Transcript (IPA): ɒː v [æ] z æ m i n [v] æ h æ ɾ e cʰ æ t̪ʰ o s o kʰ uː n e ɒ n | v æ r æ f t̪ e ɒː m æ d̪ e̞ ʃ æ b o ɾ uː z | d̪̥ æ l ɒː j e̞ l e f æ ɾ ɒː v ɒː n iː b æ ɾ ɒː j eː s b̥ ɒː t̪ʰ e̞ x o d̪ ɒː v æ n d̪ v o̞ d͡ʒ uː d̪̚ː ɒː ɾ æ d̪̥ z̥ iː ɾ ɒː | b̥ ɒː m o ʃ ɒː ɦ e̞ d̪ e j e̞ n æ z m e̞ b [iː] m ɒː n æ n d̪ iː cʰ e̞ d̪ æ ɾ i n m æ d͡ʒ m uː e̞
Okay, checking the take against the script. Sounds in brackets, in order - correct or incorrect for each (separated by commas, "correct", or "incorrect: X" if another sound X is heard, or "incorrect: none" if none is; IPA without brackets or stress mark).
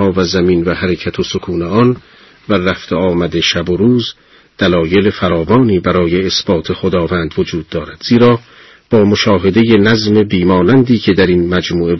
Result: correct, correct, correct